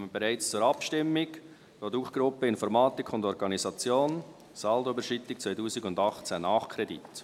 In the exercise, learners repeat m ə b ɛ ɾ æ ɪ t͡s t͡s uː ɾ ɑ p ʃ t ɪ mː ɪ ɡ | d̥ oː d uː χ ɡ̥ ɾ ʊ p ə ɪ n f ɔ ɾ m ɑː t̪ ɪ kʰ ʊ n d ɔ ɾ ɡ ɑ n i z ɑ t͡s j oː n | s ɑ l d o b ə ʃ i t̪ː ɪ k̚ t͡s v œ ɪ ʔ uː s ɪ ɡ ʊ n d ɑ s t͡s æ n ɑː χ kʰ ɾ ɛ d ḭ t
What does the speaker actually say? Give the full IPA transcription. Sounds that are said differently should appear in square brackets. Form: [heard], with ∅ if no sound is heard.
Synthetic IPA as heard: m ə b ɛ ɾ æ ɪ t͡s t͡s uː ɾ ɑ p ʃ t ɪ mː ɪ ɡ | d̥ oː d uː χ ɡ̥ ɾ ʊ p ə ɪ n f ɔ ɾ m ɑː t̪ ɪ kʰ ʊ n d ɔ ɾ ɡ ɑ n i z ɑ t͡s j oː n | s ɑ l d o b ə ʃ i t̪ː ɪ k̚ t͡s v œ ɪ [t] uː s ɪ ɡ ʊ n d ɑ [χ] t͡s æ n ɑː χ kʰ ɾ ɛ d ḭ t